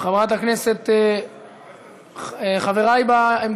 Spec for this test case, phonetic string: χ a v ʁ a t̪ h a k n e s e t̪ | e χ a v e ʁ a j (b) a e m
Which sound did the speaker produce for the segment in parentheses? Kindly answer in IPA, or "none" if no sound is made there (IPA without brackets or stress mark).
b